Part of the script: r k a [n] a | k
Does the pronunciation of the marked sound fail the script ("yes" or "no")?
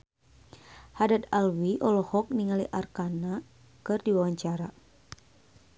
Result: no